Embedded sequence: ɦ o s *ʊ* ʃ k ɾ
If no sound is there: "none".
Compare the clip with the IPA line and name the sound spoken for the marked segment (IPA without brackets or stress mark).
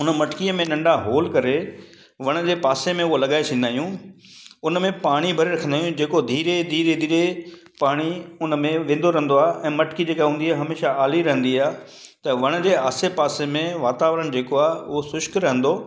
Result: ʊ